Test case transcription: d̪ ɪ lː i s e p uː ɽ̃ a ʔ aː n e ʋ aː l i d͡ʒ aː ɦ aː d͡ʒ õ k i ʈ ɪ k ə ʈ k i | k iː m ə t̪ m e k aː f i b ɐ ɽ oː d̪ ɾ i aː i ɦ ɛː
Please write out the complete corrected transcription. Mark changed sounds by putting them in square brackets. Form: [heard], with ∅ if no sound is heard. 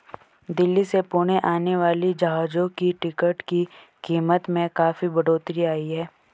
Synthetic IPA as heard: d̪ ɪ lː i s e p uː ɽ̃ [e] ʔ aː n e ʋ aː l i d͡ʒ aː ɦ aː d͡ʒ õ k i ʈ ɪ k ə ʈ k i | k iː m ə t̪ m [ẽ] k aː f i b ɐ ɽ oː [t̪] ɾ i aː i ɦ ɛː